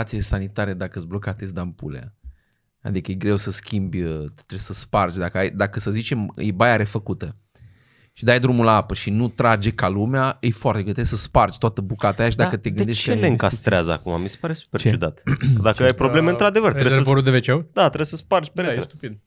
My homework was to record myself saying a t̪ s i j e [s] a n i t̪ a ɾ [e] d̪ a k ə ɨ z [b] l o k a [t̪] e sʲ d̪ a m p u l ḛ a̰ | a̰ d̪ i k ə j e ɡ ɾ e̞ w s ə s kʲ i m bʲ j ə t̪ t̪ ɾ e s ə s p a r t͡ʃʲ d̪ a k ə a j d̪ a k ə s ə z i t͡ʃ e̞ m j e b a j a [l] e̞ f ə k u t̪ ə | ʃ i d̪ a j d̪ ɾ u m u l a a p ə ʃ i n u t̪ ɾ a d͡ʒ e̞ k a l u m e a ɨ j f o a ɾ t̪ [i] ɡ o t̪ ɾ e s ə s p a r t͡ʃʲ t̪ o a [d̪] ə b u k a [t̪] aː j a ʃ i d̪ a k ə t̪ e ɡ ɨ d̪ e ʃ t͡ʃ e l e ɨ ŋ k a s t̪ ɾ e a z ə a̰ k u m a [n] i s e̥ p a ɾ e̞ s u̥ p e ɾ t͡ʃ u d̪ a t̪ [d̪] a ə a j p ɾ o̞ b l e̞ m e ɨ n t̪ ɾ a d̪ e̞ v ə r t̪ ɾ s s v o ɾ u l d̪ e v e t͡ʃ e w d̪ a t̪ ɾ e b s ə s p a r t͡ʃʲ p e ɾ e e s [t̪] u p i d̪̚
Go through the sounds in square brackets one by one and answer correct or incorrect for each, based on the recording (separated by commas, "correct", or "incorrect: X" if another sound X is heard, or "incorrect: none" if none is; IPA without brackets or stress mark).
correct, correct, correct, correct, incorrect: ɾ, incorrect: e, incorrect: t̪, correct, incorrect: m, correct, correct